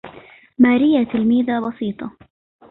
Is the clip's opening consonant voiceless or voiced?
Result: voiced